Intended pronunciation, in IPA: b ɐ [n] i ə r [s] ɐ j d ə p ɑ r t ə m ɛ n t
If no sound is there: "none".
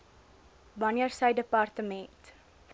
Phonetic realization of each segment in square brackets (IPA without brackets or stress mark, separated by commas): n, s